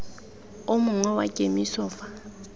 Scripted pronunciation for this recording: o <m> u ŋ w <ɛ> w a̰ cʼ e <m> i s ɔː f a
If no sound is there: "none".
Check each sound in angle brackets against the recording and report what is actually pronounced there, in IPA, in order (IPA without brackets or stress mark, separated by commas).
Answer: m, ɛ, m